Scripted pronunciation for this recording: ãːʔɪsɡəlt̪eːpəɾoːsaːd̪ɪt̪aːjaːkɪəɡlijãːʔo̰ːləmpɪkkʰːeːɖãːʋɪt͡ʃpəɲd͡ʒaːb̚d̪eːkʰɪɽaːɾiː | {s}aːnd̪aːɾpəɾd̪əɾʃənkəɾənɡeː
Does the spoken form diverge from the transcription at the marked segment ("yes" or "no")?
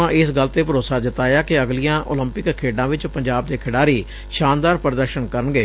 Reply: yes